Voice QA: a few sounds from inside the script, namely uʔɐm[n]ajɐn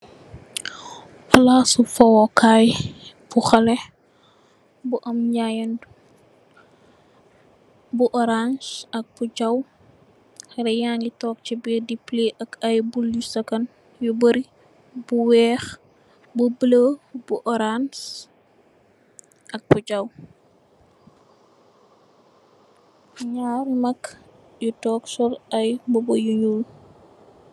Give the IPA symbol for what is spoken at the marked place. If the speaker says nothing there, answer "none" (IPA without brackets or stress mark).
ɲ